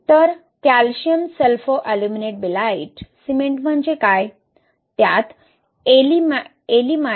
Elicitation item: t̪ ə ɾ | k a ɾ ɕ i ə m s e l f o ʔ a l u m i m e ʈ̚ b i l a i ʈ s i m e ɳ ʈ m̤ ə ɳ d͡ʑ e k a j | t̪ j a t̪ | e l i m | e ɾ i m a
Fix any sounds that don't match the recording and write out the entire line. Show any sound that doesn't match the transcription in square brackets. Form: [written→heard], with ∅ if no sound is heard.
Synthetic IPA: t̪ ə ɾ | k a [ɾ→l] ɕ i ə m s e l f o ʔ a l u m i [m→n] e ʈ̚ b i l a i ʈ s i m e ɳ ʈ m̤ ə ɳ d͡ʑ e k a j | t̪ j a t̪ | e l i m | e [ɾ→l] i m a